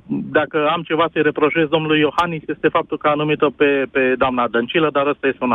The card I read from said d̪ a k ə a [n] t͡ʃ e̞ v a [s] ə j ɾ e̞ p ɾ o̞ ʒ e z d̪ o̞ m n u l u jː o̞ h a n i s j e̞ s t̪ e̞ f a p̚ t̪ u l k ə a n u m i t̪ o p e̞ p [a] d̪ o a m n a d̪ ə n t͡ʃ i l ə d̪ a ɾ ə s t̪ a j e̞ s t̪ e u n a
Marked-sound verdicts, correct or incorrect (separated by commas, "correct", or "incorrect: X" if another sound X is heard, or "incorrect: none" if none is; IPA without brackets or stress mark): incorrect: m, correct, incorrect: e